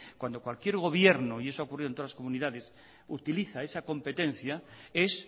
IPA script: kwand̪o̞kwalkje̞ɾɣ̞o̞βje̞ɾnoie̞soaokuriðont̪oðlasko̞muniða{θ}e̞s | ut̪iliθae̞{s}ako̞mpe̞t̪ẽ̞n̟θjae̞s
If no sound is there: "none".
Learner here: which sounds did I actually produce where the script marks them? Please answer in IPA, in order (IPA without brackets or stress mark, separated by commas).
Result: ð, s